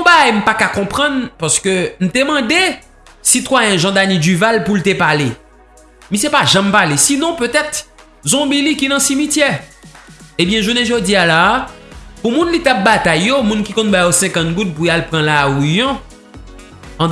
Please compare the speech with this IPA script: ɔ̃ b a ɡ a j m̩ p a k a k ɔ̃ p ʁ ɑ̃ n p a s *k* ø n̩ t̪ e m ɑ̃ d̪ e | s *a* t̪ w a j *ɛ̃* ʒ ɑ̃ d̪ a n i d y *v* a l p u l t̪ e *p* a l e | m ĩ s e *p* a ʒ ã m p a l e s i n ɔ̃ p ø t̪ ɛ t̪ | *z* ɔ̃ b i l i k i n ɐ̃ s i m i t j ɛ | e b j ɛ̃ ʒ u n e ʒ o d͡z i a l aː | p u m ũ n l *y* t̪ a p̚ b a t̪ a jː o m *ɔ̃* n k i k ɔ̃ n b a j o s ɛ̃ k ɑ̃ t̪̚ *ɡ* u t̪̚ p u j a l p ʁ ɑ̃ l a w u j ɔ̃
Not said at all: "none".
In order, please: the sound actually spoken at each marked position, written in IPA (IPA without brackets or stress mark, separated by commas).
k, i, ɛ̃, v, p, p, z, i, ũ, ɡ